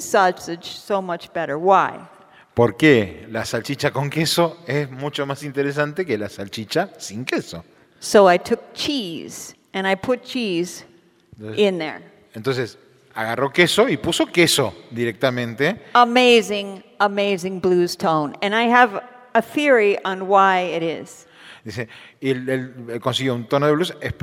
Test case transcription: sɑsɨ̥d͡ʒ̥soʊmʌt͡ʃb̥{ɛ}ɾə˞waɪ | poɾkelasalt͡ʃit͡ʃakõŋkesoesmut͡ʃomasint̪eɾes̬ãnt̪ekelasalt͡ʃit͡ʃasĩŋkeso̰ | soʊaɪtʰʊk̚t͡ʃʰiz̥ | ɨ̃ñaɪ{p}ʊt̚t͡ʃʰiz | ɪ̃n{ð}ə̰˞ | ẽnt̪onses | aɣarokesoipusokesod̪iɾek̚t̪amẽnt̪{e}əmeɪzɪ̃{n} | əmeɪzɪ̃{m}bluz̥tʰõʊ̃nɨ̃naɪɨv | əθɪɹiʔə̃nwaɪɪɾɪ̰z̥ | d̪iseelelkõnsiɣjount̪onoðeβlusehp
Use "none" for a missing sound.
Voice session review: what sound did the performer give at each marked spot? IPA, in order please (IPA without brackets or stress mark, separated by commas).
ɛ, pʰ, ð, e, ŋ, ŋ